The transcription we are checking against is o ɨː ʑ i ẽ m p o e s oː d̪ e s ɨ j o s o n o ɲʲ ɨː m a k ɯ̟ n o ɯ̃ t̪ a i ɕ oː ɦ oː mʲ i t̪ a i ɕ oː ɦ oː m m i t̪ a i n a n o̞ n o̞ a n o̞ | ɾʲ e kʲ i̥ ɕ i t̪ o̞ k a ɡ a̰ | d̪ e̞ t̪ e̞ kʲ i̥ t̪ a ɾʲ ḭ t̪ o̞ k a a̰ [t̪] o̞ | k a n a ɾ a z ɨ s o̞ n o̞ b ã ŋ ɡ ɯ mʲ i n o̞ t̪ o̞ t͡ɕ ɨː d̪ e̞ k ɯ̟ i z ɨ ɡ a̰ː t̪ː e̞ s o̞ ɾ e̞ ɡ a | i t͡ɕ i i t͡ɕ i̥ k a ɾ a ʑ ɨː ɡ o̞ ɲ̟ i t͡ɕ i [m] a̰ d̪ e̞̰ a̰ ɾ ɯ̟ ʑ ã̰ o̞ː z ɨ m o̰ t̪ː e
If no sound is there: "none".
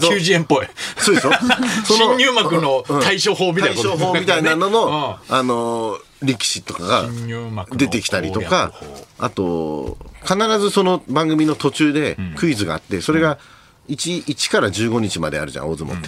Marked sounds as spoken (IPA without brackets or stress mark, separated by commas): t̪, m